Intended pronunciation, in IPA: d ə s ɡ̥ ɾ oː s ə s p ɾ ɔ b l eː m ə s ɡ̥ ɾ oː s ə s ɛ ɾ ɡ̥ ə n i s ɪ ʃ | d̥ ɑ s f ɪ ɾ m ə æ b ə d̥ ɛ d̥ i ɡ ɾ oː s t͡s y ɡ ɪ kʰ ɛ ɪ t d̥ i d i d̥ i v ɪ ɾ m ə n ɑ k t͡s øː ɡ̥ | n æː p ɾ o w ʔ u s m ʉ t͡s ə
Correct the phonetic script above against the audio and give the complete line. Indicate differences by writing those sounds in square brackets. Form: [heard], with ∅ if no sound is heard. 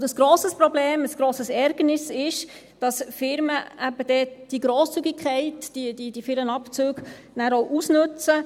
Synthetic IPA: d ə s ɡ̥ ɾ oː s ə s p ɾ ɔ b l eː m ə s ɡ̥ ɾ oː s ə s ɛ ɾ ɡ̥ ə n [ɪ] s ɪ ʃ | d̥ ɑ s f ɪ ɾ m ə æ b ə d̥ ɛ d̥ i ɡ ɾ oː s t͡s y ɡ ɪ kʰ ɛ ɪ t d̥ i d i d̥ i [f] ɪ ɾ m ə n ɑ [p] t͡s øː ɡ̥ | n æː [∅] ɾ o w ʔ u s [n] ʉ t͡s ə